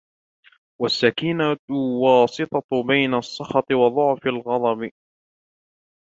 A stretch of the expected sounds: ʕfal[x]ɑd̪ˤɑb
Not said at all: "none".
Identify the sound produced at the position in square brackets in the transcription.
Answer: ɣ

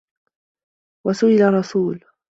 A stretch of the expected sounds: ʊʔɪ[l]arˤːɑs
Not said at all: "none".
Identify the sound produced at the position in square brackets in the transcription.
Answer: l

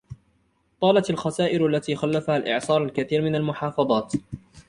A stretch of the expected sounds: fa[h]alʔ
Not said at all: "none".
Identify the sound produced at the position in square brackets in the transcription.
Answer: h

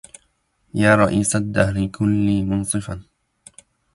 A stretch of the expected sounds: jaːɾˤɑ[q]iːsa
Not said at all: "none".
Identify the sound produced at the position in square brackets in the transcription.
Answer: ʔ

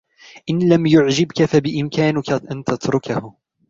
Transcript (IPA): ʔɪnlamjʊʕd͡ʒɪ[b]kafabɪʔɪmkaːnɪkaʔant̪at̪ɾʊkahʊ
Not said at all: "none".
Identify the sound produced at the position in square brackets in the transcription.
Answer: b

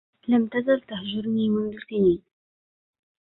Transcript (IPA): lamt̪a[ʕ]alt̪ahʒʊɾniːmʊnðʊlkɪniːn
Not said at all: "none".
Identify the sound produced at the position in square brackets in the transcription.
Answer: z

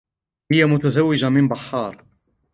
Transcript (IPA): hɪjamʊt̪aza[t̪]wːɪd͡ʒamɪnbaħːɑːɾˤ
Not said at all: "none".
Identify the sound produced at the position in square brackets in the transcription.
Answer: none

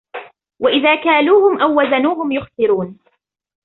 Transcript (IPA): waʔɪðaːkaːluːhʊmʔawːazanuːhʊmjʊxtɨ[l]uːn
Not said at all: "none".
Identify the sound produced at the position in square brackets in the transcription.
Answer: ɾ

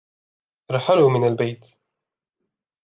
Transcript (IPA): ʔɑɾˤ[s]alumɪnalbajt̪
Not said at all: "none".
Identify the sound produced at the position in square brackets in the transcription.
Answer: ħ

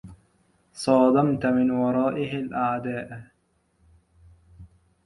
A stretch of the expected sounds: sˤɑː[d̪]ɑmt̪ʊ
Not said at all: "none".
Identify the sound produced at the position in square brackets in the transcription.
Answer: d̪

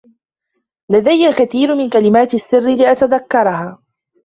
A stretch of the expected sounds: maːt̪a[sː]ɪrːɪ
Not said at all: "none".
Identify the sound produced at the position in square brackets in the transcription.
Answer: sː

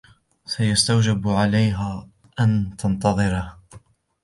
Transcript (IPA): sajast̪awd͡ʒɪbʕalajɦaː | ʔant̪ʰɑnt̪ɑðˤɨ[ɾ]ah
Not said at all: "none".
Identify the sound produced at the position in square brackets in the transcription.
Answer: ɾ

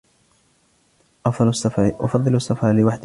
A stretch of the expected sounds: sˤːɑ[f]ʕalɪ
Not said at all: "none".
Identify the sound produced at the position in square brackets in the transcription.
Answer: f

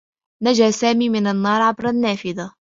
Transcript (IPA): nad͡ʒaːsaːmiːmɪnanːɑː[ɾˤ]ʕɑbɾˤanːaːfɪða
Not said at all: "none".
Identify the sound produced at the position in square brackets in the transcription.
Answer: ɾˤ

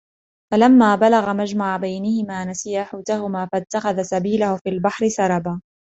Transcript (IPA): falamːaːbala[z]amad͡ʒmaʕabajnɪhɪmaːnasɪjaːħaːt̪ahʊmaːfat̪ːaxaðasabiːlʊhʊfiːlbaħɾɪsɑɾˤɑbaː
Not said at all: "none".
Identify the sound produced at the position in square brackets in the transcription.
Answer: ɣ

